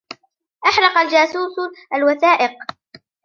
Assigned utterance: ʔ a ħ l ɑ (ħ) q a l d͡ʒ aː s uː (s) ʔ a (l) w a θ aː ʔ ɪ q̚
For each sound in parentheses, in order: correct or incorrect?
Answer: incorrect, correct, correct

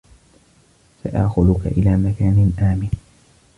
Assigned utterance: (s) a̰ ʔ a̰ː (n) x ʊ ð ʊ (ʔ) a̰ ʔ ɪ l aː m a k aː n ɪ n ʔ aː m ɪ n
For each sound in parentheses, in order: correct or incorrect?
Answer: correct, incorrect, incorrect

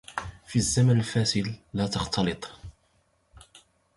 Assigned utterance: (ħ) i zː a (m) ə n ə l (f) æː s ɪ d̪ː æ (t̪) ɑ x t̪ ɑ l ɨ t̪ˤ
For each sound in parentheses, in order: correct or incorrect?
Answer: incorrect, correct, correct, correct

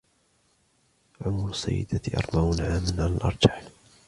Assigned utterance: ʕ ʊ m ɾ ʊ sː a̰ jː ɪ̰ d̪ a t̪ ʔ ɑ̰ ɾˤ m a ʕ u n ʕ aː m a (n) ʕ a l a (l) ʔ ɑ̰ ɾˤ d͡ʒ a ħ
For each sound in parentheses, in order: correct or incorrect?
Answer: correct, correct

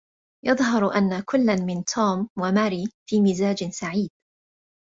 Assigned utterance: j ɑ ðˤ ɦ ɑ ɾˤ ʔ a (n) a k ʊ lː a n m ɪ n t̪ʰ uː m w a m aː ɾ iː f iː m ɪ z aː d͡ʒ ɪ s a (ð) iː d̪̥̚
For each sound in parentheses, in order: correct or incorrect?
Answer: incorrect, incorrect

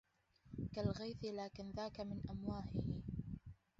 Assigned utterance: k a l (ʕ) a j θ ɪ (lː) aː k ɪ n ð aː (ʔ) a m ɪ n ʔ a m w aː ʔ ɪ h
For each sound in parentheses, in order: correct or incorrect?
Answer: incorrect, incorrect, incorrect

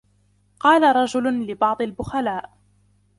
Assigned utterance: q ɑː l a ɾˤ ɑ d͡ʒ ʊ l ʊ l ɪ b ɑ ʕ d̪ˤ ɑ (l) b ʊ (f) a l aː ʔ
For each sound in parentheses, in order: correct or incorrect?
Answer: correct, incorrect

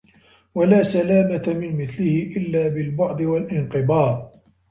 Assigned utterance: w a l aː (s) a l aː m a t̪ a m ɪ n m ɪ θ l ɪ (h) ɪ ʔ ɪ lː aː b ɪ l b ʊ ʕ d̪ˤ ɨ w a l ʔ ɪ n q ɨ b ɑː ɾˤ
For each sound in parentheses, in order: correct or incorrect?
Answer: correct, correct

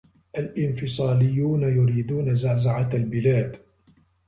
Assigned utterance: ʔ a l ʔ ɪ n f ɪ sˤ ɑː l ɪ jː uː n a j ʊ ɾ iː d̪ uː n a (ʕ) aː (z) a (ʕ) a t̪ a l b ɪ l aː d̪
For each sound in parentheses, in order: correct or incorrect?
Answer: incorrect, correct, correct

